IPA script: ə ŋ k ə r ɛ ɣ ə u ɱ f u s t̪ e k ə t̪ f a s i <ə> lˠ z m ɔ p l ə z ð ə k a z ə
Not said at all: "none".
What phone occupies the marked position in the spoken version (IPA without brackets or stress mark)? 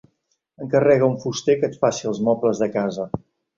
ə